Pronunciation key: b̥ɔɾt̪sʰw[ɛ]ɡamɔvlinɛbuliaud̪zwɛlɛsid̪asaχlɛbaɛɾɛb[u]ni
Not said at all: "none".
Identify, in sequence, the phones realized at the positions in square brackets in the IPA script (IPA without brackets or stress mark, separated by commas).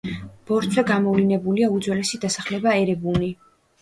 ɛ, u